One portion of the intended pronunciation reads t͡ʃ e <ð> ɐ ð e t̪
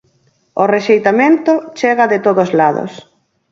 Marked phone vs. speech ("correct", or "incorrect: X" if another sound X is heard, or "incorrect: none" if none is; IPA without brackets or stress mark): incorrect: ɣ